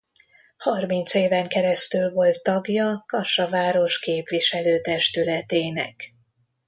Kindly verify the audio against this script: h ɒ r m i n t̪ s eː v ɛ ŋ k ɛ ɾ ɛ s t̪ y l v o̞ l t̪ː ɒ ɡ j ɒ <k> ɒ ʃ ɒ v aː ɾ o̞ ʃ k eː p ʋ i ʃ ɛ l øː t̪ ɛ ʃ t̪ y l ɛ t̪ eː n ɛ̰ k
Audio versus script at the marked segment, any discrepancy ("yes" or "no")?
no